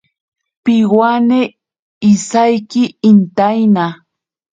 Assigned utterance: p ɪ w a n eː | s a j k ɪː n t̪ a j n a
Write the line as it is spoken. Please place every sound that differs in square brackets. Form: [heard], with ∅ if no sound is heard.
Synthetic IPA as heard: p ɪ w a n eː | s a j k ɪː n t̪ a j n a